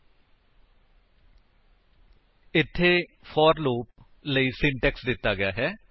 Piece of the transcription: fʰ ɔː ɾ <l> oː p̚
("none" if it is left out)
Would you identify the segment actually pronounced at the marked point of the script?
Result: l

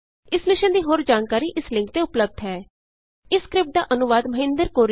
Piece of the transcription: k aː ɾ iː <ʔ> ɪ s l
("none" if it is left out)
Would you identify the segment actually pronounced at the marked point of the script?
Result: ʔ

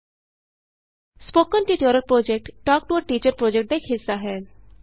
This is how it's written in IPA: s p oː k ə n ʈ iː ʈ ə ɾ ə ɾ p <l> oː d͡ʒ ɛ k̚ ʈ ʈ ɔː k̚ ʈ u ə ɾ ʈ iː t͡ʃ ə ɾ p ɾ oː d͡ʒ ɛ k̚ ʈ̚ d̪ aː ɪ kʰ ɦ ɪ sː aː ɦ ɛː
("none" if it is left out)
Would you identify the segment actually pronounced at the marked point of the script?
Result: ɾ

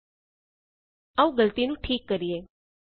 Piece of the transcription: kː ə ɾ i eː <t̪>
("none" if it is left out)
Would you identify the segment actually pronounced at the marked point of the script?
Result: none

